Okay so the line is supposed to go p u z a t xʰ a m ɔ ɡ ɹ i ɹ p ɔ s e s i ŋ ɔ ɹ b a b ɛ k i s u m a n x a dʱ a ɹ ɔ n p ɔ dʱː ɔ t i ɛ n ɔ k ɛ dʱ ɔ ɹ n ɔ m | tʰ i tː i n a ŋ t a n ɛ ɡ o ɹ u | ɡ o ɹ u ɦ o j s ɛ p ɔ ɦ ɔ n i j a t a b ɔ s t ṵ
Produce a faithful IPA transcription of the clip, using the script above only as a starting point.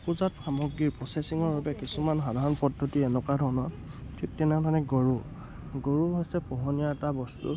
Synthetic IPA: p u z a t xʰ a m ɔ ɡ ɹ i ɹ p ɔ s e s i ŋ ɔ ɹ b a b ɛ k i s u m a n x a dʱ a ɹ ɔ n p ɔ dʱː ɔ t i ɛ n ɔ k a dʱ ɔ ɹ n ɔ | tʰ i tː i n a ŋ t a n ɛ ɡ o ɹ u | ɡ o ɹ u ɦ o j s ɛ p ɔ ɦ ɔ n i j a t a b ɔ s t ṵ